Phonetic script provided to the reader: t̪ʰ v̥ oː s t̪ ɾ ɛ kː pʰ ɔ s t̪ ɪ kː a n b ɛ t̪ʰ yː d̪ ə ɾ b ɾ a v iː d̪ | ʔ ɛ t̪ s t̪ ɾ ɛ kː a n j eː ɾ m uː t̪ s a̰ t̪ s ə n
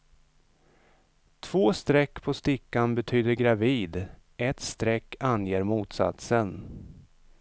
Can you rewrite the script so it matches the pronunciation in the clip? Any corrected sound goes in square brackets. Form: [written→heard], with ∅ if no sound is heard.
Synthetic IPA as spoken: t̪ʰ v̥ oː s t̪ ɾ ɛ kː pʰ ɔ s t̪ ɪ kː a n b ɛ t̪ʰ yː d̪ ə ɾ [b→ɡ] ɾ a v iː d̪ | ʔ ɛ t̪ s t̪ ɾ ɛ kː a n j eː ɾ m uː t̪ s a̰ t̪ s ə n